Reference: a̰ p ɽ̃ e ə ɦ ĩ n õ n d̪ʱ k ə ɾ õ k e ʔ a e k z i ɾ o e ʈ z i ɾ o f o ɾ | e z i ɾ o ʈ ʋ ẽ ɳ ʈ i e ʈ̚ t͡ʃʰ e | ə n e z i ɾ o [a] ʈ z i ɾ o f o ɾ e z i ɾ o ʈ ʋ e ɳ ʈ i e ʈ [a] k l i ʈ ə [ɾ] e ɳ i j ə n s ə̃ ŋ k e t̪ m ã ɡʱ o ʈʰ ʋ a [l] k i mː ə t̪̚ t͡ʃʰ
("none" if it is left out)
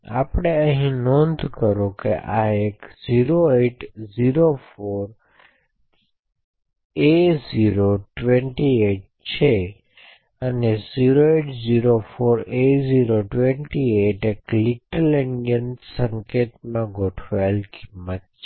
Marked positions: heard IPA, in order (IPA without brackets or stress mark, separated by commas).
e, e, l, l